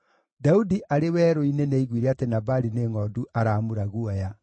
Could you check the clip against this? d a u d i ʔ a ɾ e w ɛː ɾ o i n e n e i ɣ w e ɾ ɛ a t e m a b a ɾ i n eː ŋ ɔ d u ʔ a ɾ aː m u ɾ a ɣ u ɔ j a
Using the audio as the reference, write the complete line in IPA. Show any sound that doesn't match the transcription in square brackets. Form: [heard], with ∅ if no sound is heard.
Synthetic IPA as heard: d a u d i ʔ a ɾ e w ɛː ɾ o i n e n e i ɣ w [i] ɾ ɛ a t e [n] a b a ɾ i n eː ŋ ɔ d u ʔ a ɾ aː m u ɾ a ɣ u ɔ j a